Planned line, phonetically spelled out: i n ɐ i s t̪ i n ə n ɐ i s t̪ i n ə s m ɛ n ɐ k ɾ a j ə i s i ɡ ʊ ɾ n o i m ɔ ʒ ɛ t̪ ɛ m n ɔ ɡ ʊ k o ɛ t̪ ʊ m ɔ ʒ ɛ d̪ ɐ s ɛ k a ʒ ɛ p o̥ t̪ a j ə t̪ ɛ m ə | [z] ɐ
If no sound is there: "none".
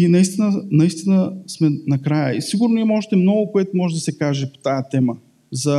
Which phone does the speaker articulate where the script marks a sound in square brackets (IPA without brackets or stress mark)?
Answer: z